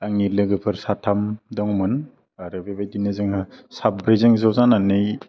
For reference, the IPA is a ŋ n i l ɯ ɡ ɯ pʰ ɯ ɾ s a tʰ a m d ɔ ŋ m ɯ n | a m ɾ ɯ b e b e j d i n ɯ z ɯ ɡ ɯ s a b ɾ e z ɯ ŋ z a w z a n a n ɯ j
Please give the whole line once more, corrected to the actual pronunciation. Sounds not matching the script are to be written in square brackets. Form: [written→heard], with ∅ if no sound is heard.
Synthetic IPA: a ŋ n i l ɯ ɡ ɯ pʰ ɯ ɾ s a tʰ a m d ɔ ŋ m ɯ n | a [m→∅] ɾ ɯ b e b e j d i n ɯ z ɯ [ɡ→ŋ] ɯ s a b ɾ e z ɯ ŋ z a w z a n a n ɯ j